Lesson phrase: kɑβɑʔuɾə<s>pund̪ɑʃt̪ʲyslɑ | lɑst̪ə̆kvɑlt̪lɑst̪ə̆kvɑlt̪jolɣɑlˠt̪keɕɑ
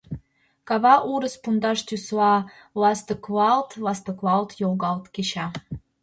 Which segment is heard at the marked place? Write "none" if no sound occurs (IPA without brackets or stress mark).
s